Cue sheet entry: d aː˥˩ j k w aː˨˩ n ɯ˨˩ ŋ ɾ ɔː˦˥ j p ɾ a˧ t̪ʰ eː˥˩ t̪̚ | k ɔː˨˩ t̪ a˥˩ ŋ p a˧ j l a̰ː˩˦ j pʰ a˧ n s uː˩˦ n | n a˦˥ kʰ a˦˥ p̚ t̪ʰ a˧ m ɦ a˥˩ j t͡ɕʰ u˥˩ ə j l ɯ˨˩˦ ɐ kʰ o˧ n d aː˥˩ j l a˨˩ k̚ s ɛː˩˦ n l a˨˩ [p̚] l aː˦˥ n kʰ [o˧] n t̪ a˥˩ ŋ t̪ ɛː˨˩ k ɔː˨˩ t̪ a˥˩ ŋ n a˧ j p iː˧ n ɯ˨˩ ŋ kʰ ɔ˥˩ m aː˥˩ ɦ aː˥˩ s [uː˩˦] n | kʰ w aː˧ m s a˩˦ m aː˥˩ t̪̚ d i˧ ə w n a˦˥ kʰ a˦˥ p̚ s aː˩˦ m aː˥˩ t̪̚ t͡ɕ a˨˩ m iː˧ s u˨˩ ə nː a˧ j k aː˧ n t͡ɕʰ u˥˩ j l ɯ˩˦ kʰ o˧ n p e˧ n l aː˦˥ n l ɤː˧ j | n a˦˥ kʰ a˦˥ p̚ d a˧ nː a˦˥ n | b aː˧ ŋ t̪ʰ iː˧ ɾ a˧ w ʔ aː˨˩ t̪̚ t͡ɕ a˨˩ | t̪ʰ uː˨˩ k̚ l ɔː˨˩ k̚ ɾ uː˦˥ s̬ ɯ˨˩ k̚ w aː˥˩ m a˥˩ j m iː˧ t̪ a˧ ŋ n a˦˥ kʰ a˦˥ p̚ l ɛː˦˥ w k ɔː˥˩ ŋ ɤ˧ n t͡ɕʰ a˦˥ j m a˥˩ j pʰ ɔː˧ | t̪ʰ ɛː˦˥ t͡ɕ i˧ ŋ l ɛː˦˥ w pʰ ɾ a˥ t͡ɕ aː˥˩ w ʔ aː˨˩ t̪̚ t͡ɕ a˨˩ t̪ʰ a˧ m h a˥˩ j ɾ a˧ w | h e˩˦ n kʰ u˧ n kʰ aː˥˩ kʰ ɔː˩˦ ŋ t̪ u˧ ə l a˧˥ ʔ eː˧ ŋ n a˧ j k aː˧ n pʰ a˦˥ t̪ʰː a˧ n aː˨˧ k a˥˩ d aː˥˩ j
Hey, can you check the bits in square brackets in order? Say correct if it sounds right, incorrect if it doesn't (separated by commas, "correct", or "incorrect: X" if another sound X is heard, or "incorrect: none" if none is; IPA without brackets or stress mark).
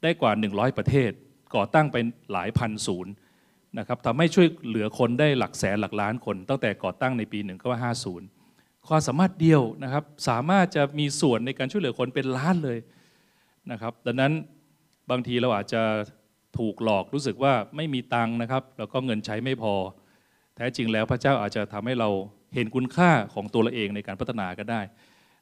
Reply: incorrect: k̚, correct, correct